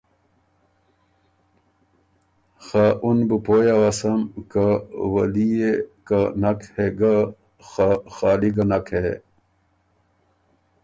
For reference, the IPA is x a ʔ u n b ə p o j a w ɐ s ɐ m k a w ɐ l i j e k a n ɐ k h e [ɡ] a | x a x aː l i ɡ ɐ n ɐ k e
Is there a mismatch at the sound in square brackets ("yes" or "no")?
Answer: no